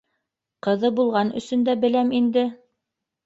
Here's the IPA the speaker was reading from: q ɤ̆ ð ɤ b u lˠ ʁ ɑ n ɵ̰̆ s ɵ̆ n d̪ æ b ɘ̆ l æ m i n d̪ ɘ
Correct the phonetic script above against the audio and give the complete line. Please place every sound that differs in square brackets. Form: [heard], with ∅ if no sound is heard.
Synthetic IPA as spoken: q ɤ̆ ð ɤ b u lˠ ʁ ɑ n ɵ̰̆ s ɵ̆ n d̪ æ b ɘ̆ l æ m i n d̪ ɘ